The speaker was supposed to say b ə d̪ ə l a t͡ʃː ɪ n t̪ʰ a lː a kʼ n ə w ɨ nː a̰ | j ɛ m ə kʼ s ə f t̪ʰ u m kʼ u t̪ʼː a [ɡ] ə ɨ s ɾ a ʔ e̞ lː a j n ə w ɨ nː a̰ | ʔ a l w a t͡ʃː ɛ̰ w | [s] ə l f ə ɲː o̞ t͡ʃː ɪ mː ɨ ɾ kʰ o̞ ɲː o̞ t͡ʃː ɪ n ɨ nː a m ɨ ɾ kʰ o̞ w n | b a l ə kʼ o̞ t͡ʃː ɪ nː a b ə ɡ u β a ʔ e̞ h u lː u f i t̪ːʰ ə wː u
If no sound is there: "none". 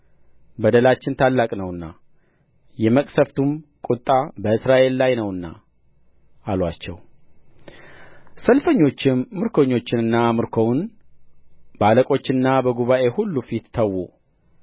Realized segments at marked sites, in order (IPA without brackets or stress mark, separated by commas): b, s